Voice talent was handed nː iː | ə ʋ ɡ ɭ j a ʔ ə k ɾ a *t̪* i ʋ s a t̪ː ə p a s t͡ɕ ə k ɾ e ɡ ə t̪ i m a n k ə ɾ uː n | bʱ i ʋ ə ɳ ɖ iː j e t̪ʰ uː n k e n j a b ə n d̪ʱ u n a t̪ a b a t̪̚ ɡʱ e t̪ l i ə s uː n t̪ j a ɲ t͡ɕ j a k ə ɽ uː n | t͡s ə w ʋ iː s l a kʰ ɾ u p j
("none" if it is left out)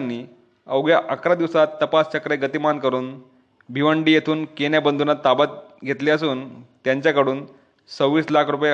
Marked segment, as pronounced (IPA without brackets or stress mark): d̪